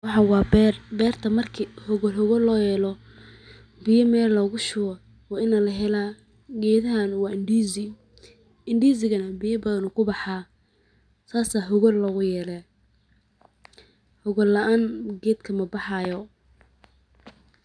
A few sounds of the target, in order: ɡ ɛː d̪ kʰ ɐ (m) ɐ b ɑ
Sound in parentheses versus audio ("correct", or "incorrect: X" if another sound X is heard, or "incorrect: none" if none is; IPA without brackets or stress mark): correct